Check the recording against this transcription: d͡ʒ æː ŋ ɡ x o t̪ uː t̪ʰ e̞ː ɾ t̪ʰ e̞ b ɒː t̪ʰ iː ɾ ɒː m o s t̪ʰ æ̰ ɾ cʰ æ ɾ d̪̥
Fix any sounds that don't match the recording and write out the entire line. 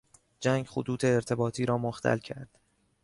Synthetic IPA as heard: d͡ʒ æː ŋ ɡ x o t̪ uː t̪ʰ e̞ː ɾ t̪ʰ e̞ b ɒː t̪ʰ iː ɾ ɒː m o x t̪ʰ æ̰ l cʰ æ ɾ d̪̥